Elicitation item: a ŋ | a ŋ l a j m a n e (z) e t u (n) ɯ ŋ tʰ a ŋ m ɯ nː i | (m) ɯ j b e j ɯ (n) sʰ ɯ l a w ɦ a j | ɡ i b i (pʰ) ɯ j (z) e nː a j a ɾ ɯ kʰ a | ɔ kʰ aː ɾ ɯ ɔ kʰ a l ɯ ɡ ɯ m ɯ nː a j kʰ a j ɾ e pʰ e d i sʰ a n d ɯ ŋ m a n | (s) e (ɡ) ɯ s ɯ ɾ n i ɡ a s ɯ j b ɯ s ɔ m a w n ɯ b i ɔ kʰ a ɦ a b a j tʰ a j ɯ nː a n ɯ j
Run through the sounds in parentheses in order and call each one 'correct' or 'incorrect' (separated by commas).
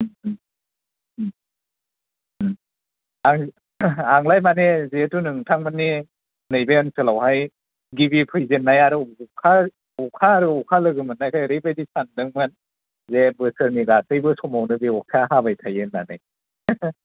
correct, correct, incorrect, correct, correct, correct, incorrect, incorrect